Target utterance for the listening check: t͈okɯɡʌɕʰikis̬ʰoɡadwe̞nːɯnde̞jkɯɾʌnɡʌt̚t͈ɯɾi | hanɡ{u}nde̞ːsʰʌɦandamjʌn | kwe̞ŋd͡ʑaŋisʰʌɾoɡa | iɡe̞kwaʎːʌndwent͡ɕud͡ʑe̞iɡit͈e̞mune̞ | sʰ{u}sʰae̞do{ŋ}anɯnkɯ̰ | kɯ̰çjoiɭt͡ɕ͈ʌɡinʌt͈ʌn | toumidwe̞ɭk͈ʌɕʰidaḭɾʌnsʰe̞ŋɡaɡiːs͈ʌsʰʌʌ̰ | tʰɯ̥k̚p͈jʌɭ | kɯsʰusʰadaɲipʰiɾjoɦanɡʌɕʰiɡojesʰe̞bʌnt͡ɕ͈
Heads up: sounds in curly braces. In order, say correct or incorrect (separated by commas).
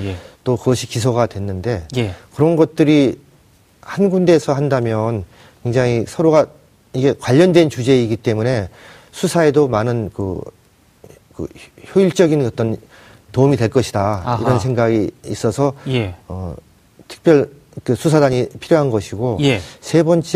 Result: correct, correct, incorrect